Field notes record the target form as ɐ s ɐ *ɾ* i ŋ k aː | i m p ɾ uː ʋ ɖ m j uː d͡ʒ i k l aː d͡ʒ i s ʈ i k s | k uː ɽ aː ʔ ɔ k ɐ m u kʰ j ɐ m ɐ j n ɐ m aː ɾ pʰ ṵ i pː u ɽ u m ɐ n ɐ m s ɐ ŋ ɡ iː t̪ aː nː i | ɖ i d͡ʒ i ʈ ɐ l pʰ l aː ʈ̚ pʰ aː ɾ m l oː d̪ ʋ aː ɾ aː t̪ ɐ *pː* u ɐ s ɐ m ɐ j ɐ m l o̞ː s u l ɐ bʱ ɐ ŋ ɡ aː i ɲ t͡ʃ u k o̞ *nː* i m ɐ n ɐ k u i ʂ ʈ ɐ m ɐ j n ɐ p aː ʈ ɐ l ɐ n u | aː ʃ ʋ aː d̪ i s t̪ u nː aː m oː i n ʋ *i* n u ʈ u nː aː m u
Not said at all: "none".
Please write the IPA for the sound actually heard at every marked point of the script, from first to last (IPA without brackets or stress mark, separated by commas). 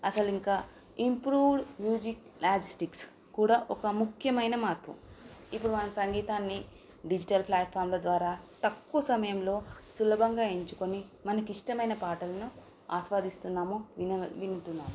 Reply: l, kː, n, i